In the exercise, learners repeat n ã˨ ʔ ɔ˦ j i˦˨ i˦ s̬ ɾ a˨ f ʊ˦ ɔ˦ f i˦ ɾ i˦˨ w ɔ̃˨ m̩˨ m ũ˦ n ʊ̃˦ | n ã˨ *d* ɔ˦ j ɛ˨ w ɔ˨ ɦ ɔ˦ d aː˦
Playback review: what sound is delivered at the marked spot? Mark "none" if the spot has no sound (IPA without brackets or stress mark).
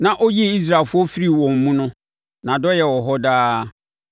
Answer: d